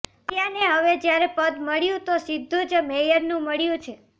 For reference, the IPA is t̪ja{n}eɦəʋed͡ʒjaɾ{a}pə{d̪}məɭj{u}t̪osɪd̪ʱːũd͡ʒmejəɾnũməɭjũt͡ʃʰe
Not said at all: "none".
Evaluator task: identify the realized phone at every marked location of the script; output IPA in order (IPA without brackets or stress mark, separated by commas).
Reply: n, e, d̪, ũ